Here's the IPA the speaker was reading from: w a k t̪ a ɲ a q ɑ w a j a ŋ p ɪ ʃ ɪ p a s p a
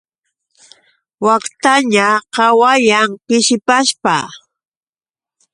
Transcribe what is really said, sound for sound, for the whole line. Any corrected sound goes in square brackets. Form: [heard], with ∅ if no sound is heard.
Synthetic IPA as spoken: w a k t̪ a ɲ a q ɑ w a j a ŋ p ɪ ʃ ɪ p a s p a